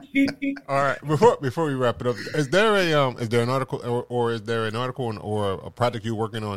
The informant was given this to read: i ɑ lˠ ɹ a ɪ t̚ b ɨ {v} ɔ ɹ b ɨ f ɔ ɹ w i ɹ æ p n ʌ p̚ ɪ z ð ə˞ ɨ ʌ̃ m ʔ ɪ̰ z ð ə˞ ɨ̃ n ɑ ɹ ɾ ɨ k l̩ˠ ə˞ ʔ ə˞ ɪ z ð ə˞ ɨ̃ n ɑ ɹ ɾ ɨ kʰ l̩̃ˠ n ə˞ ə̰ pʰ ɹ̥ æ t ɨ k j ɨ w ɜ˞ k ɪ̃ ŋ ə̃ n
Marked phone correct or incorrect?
incorrect